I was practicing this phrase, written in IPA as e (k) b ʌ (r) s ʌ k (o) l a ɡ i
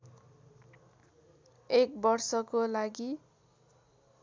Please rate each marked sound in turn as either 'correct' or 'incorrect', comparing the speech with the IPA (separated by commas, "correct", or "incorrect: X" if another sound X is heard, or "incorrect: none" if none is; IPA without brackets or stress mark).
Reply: correct, correct, correct